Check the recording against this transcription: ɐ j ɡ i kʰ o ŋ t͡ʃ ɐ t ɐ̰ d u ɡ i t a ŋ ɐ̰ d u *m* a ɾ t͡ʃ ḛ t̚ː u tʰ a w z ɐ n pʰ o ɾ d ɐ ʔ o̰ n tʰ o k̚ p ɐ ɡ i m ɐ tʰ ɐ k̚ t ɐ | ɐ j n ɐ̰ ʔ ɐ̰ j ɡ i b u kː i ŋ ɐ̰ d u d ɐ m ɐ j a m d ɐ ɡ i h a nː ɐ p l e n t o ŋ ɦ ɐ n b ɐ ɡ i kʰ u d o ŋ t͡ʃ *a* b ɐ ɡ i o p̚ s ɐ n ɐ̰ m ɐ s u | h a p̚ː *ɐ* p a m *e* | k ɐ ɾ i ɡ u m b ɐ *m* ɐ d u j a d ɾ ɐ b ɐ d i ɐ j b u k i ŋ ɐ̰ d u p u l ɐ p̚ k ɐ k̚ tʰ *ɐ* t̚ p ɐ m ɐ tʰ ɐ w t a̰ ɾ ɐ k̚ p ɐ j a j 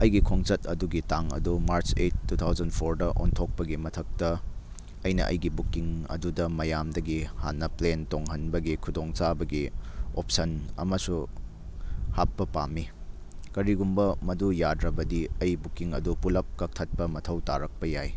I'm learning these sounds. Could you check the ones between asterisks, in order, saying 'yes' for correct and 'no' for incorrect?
yes, yes, yes, no, yes, yes

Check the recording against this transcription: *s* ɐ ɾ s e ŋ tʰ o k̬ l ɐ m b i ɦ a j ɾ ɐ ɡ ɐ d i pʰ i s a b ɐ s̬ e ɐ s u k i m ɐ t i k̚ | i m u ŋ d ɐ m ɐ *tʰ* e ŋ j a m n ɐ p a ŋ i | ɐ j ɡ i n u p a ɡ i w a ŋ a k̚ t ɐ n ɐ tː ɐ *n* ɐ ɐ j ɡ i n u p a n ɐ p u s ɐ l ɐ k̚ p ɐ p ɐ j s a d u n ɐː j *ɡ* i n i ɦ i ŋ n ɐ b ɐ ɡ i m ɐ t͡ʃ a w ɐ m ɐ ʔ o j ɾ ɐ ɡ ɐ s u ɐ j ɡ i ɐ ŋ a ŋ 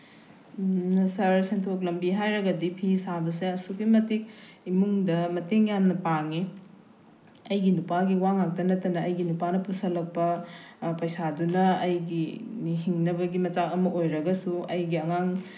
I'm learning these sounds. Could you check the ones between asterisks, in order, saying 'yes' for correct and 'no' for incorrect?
yes, no, yes, yes

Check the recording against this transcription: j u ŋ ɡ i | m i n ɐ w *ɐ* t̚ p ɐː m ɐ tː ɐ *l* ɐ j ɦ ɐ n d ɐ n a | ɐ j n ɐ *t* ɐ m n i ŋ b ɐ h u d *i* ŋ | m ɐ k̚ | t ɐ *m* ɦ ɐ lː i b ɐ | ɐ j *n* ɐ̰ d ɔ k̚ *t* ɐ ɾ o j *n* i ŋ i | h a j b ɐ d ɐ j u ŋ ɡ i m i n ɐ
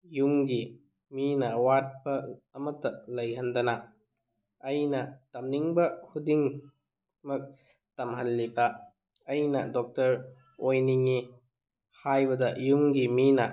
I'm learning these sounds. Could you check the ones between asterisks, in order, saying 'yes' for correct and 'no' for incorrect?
no, yes, yes, yes, yes, yes, yes, yes

